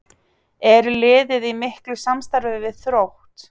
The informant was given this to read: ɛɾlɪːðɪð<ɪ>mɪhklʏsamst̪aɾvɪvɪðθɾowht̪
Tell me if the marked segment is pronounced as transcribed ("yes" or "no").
no